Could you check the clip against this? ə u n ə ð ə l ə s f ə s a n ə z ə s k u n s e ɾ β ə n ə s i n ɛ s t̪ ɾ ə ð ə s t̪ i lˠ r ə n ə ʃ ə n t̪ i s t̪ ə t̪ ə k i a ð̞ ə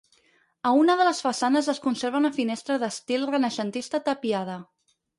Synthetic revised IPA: ə u n ə ð ə l ə s f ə s a n ə z ə s k u n s e ɾ β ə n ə f i n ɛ s t̪ ɾ ə ð ə s t̪ i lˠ r ə n ə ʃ ə n t̪ i s t̪ ə t̪ ə p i a ð̞ ə